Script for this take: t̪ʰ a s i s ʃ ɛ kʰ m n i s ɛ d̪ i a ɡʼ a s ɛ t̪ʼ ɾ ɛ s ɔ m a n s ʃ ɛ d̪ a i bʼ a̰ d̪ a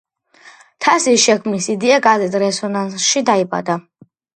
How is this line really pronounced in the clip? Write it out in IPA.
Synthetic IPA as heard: t̪ʰ a s i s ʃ ɛ kʰ m n i s i d̪ i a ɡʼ a z ɛ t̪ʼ ɾ ɛ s ɔ n a n s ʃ i d̪ a i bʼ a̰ d̪ a

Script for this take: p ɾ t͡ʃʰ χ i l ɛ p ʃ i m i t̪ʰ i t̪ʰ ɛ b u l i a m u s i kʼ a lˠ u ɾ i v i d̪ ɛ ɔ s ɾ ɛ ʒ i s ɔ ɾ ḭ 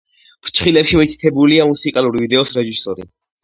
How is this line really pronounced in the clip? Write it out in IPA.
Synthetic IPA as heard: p ɾ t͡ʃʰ χ i l ɛ p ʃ i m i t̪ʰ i t̪ʰ ɛ b u l i a m u s i kʼ a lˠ u ɾ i v i d̪ ɛ ɔ s ɾ ɛ ʒ i s ɔ ɾ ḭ

